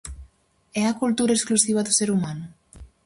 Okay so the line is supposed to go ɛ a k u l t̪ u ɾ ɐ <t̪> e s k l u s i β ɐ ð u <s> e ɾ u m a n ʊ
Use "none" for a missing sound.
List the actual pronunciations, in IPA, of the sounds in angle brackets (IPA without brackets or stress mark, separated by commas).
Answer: none, s